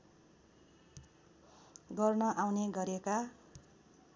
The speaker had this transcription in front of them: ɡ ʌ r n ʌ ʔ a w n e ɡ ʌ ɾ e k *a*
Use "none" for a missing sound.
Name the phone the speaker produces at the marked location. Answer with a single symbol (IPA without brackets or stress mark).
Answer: a